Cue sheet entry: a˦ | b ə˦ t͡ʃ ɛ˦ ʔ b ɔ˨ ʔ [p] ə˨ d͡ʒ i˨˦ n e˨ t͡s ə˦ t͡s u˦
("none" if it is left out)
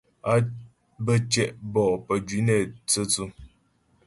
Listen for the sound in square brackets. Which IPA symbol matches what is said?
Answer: p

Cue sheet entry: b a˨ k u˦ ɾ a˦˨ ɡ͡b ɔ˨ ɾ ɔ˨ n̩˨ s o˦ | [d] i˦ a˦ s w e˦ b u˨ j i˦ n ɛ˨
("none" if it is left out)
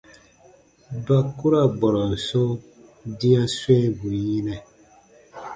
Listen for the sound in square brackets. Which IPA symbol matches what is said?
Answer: d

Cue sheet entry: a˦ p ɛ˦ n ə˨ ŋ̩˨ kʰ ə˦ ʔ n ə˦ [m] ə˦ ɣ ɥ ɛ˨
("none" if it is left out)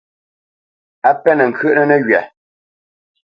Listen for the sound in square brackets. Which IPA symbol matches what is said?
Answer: n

